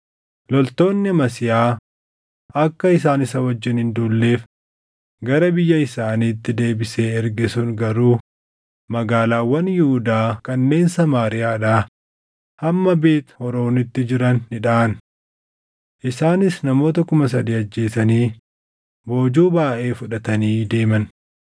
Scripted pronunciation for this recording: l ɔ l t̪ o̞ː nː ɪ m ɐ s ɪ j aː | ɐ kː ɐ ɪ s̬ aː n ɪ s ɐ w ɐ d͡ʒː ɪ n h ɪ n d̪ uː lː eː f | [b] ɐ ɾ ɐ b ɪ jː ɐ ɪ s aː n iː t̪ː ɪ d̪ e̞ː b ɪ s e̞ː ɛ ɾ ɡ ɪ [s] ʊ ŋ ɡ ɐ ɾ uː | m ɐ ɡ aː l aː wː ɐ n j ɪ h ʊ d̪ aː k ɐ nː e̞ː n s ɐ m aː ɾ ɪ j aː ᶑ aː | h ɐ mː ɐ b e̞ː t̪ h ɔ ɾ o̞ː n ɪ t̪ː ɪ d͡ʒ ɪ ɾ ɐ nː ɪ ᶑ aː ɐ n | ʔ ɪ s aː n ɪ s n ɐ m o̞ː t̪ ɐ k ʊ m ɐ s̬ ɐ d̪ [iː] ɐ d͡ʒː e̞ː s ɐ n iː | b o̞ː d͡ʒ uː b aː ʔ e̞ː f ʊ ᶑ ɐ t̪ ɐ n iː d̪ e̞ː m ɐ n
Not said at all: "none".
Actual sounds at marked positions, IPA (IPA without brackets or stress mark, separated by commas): ɡ, s, iː